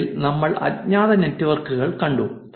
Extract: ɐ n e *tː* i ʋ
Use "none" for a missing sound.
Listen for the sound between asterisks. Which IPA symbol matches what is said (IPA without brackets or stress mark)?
tː